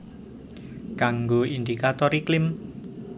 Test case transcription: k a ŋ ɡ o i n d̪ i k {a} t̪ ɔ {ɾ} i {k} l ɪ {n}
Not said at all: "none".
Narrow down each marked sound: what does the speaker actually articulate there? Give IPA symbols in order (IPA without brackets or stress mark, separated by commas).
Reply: a, ɾ, k, m